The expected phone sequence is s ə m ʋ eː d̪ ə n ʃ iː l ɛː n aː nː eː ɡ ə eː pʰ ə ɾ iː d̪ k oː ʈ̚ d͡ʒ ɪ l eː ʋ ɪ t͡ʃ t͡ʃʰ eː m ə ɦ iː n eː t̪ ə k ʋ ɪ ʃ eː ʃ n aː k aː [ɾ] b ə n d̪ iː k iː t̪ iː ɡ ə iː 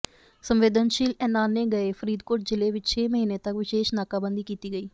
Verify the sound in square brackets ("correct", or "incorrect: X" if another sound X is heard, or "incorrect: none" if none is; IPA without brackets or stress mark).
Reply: incorrect: none